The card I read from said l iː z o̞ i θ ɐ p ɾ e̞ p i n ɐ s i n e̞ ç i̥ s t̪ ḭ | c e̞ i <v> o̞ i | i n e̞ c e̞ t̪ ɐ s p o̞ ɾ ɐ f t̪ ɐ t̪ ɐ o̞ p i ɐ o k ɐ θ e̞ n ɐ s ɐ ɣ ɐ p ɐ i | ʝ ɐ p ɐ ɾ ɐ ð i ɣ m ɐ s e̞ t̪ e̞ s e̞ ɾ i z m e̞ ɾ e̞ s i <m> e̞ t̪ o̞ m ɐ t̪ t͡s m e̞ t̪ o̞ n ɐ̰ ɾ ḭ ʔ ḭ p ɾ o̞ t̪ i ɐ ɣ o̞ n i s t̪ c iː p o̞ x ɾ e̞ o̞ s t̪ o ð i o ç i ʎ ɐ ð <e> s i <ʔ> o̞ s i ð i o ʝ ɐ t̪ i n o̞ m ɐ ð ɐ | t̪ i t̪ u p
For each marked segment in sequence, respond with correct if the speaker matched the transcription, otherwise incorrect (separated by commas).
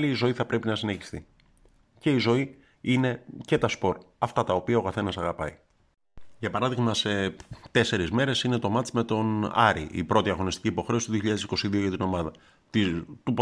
incorrect, incorrect, correct, incorrect